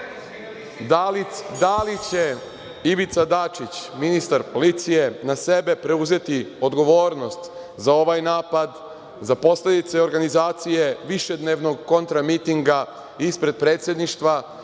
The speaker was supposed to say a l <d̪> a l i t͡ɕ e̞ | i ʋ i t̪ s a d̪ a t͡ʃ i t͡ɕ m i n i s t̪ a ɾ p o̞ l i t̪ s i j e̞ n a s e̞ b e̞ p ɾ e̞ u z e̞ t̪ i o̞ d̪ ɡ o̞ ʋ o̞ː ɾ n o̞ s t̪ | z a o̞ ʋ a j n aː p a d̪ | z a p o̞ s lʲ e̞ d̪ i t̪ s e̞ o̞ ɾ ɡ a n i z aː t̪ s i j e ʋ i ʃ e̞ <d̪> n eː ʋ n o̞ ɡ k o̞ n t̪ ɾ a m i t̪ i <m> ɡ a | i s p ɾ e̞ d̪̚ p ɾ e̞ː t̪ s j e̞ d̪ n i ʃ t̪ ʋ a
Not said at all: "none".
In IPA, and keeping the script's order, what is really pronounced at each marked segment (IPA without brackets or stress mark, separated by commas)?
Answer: d̪, d̪, ŋ